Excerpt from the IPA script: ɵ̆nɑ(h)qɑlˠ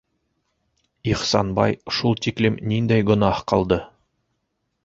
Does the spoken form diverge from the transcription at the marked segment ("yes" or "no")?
no